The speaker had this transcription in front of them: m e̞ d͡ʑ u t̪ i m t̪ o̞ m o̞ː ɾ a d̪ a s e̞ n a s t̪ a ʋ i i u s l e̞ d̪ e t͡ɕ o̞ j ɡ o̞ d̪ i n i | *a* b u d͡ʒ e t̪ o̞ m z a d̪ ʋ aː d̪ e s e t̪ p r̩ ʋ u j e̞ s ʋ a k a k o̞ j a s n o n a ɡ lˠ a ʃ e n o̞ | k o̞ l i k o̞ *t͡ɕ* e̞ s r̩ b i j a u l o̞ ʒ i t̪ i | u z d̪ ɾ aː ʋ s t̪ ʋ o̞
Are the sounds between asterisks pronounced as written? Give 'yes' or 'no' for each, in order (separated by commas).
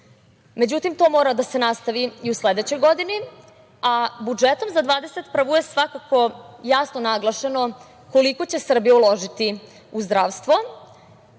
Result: yes, yes